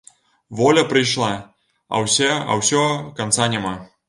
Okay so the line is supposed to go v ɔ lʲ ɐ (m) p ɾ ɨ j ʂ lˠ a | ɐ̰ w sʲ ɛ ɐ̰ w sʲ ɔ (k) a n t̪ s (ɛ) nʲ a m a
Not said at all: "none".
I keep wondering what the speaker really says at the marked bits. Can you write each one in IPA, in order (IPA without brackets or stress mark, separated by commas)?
none, k, a